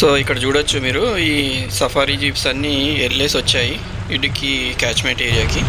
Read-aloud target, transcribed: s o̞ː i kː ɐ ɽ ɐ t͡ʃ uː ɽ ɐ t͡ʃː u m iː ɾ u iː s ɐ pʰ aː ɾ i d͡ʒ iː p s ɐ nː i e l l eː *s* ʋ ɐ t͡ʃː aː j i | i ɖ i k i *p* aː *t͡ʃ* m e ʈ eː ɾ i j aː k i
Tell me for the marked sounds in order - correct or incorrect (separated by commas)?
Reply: correct, incorrect, correct